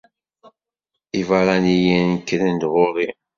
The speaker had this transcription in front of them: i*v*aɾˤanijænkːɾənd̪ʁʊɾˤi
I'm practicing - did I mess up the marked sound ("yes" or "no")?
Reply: no